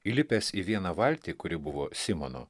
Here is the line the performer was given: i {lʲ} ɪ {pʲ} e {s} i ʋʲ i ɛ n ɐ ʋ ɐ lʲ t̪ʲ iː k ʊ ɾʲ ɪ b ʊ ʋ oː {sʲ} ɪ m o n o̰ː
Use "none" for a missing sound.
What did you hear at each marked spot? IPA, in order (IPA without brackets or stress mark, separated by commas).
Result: lʲ, pʲ, s, sʲ